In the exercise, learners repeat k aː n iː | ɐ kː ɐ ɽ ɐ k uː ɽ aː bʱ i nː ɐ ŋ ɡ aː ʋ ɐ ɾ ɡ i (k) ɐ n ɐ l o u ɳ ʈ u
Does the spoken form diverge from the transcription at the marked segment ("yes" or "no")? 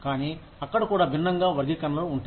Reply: no